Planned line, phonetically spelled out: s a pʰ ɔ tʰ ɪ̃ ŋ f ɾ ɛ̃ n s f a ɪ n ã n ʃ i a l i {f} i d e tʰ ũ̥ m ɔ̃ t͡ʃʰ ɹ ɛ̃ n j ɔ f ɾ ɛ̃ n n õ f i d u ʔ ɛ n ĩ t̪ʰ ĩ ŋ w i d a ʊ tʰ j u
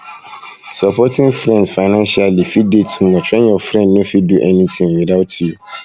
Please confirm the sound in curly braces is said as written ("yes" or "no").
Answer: yes